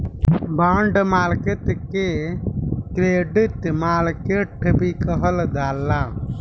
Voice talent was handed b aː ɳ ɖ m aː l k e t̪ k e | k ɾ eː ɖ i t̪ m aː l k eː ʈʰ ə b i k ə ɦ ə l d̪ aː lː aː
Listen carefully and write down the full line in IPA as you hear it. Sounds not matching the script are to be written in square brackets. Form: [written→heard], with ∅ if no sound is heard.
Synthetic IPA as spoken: b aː ɳ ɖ m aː l k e t̪ k e | k ɾ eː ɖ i t̪ m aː l k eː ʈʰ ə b i k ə ɦ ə l d̪ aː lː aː